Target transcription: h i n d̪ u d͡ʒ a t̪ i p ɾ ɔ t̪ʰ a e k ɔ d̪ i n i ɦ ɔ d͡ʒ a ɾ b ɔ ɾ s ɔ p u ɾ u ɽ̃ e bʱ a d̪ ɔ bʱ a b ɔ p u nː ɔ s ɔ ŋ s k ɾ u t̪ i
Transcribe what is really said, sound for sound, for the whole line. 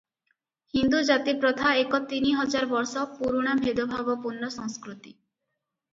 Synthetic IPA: h i n d̪ u d͡ʒ a t̪ i p ɾ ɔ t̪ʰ a e k ɔ t̪ i n i ɦ ɔ d͡ʒ a ɾ b ɔ ɾ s ɔ p u ɾ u ɽ̃ a bʱ e d̪ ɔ bʱ a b ɔ p u nː ɔ s ɔ ŋ s k ɾ u t̪ i